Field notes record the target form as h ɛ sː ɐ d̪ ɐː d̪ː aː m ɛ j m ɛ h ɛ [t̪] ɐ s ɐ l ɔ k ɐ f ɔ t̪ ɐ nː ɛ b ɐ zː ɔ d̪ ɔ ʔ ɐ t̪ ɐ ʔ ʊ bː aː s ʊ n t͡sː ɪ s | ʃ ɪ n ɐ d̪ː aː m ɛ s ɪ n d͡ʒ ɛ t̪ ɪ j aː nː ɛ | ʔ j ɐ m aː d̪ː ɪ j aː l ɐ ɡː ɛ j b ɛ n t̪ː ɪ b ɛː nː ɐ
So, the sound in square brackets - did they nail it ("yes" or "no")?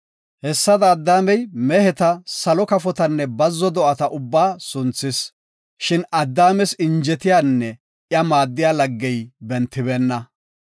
yes